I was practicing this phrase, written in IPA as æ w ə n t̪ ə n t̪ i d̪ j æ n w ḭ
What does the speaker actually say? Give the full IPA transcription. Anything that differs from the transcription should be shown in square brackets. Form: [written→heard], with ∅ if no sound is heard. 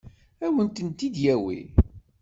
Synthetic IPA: æ w ə n t̪ ə n t̪ i d̪ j æ [n→∅] w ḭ